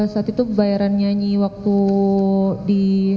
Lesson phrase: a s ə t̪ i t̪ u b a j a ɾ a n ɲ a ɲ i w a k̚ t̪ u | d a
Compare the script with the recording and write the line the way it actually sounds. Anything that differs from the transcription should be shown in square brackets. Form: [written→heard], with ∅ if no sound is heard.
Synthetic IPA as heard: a s [ə→a] t̪ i t̪ u b a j a ɾ a n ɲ a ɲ i w a k̚ t̪ u | d [a→i]